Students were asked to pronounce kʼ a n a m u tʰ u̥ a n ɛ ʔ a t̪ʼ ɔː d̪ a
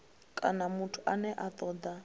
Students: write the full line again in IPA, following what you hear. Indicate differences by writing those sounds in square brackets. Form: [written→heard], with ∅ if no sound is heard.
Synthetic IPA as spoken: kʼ a n a m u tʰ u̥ a n ɛ ʔ a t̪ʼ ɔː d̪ a